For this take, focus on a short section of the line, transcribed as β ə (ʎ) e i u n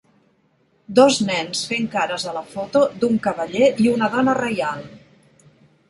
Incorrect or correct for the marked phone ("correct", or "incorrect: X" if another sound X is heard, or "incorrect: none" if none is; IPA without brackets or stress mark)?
correct